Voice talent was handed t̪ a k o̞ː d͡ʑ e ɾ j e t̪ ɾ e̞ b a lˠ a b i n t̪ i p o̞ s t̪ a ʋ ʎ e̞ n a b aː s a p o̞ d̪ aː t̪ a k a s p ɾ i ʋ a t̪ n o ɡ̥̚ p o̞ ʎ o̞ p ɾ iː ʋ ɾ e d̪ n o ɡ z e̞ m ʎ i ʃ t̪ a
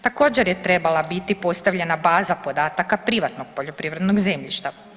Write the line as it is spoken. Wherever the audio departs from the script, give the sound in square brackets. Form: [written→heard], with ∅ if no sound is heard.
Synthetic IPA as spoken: t̪ a k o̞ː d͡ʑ e ɾ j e t̪ ɾ e̞ b a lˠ a b i [n→∅] t̪ i p o̞ s t̪ a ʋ ʎ e̞ n a b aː [s→z] a p o̞ d̪ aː t̪ a k a [s→∅] p ɾ i ʋ a t̪ n o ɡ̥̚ p o̞ ʎ o̞ p ɾ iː ʋ ɾ e d̪ n o ɡ z e̞ m ʎ i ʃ t̪ a